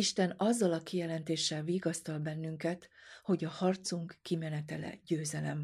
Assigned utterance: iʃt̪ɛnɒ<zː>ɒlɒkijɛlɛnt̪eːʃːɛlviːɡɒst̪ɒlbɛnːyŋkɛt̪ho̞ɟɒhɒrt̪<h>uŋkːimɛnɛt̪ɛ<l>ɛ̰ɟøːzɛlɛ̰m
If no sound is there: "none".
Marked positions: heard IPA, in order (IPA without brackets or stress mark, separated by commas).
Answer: zː, s, l